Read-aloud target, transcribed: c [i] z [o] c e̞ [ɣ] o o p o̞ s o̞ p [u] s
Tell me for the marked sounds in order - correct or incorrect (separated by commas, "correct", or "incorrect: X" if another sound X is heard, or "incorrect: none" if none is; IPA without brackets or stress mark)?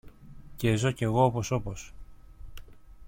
incorrect: e, correct, correct, incorrect: o